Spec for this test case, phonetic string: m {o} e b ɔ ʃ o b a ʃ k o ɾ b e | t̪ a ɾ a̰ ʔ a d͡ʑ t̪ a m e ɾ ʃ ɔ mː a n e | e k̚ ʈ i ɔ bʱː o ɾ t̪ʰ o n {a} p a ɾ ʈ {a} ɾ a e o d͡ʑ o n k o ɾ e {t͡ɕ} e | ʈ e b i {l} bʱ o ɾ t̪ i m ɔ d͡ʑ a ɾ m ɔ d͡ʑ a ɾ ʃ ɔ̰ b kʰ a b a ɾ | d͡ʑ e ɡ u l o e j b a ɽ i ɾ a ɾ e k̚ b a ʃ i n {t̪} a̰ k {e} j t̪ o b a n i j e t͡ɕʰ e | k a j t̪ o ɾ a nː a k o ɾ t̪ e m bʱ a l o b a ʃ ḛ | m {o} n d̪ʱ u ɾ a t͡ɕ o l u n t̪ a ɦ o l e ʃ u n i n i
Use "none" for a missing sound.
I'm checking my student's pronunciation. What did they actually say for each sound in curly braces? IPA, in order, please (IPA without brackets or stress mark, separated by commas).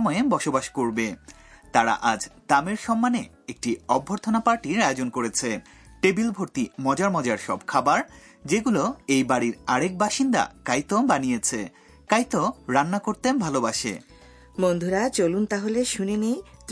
ɔ, a, i, t͡ɕʰ, l, d̪, a, o